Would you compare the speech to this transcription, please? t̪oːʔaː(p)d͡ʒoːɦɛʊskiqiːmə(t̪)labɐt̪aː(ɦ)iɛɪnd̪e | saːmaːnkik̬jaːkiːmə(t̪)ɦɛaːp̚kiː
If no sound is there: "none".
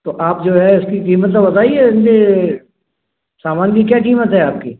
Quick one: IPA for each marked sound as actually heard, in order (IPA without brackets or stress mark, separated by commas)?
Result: p, t̪, none, t̪